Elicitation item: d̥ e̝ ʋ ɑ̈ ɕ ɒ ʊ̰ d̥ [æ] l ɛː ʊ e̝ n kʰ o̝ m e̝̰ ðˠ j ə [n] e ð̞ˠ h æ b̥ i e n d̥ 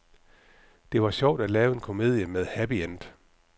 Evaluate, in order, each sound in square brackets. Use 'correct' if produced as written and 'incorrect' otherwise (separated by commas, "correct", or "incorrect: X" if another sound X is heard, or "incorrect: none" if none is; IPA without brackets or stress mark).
correct, incorrect: m